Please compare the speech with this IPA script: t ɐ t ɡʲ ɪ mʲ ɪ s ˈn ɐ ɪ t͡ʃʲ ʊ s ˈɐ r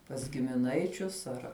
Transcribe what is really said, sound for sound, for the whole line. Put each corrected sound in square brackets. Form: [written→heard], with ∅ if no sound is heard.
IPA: [t→p] ɐ [t→s] ɡʲ ɪ mʲ ɪ [s→∅] ˈn ɐ ɪ t͡ʃʲ ʊ s ˈɐ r